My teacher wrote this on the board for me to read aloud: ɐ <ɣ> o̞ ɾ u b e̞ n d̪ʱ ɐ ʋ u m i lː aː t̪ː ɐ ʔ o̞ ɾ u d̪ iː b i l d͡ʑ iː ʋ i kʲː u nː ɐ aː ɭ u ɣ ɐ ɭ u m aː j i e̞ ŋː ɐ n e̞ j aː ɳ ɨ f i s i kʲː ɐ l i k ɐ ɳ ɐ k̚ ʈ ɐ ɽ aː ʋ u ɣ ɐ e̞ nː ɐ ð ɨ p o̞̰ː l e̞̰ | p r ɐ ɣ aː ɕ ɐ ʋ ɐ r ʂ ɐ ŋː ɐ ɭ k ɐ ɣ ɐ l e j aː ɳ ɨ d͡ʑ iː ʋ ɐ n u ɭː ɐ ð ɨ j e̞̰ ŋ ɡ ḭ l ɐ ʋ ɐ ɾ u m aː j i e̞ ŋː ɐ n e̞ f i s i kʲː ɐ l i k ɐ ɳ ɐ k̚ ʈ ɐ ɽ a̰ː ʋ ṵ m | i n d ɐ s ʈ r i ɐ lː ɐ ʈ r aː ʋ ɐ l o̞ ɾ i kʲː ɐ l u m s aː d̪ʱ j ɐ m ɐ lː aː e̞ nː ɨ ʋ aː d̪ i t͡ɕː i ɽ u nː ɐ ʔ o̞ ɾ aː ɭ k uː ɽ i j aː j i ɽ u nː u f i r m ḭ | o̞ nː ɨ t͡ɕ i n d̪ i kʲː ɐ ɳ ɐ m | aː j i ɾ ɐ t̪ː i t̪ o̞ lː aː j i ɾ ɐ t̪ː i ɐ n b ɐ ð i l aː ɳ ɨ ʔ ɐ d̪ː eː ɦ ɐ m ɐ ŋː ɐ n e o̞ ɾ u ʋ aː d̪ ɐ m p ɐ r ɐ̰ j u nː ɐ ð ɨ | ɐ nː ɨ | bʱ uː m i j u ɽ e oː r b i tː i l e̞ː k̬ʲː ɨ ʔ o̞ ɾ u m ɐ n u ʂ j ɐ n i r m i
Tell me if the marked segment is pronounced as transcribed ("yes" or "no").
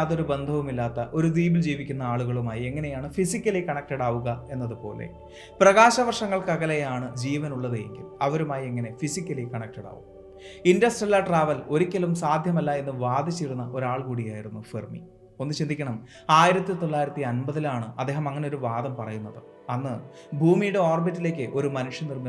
no